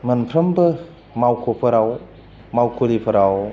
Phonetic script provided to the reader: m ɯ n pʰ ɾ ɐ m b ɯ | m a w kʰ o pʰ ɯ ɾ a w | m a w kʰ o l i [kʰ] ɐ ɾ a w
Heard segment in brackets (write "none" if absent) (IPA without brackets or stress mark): pʰ